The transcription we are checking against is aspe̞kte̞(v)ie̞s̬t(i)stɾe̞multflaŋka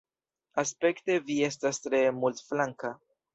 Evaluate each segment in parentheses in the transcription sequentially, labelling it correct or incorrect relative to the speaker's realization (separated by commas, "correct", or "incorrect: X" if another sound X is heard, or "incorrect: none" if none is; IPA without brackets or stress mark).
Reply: correct, incorrect: a